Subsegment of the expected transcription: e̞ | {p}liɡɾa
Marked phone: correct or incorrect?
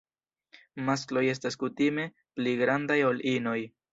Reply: correct